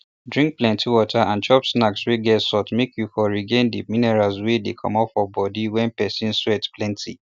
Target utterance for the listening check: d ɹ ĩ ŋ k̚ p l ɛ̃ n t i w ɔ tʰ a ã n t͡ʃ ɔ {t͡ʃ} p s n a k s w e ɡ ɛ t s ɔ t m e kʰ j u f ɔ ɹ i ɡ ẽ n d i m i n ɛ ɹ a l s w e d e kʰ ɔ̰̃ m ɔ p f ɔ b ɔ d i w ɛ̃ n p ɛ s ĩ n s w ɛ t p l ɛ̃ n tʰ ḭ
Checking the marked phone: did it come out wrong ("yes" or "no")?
yes